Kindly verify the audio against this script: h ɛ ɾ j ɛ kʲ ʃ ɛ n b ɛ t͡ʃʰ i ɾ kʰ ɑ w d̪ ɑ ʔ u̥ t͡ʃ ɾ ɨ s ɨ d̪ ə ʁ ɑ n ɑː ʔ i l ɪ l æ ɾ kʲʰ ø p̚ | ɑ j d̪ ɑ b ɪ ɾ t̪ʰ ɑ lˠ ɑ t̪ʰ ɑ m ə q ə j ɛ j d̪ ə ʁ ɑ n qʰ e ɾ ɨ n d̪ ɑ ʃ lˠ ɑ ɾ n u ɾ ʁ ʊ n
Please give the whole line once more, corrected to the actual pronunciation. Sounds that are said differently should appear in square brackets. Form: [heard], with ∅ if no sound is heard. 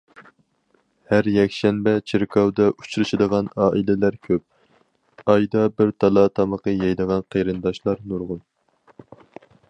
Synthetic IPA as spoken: h [æ] ɾ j ɛ kʲ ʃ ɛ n b ɛ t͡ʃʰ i ɾ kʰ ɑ w d̪ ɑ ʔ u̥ t͡ʃ ɾ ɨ [ʃ] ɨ d̪ ə ʁ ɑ n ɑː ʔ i l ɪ l æ ɾ kʲʰ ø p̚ | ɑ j d̪ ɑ b ɪ ɾ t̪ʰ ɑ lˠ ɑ t̪ʰ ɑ m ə q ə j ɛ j d̪ ə ʁ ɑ n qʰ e ɾ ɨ n d̪ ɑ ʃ lˠ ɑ ɾ n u ɾ ʁ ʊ n